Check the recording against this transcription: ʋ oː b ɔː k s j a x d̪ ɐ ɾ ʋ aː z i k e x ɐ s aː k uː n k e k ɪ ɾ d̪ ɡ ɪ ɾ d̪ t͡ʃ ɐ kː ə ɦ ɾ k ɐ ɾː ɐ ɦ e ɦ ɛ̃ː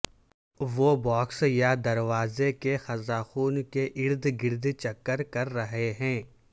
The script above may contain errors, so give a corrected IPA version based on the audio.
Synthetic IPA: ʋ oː b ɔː k s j a d̪ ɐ ɾ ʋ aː z e k e x ɐ z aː x uː n k e ʔ ɪ ɾ d̪ ɡ ɪ ɾ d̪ t͡ʃ ɐ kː ə ɾ k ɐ ɾː ɐ ɦ e ɦ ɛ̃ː